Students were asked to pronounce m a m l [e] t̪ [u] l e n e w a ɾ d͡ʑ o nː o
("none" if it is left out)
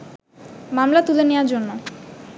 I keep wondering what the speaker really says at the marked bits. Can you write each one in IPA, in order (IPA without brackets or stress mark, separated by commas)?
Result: a, u